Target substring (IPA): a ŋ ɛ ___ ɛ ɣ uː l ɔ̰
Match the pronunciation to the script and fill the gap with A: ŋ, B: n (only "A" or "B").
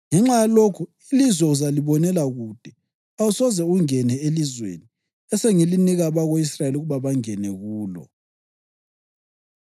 B